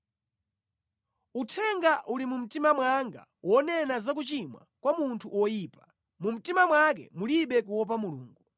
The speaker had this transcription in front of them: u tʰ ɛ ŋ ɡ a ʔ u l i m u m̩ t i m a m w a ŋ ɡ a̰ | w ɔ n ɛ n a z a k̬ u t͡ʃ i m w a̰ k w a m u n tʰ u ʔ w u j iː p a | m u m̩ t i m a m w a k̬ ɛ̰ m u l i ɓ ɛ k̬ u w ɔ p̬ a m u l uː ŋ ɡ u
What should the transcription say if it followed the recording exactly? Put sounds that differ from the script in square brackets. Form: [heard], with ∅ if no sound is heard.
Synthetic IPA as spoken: u tʰ ɛ ŋ ɡ a ʔ u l i m u m̩ t i m a m w a ŋ ɡ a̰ | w ɔ n ɛ n a z a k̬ u t͡ʃ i m w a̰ k w a m u n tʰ u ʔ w [ɔ] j iː p a | m u m̩ t i m a m w a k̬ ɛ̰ m u l i ɓ ɛ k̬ u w ɔ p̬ a m u l uː ŋ ɡ u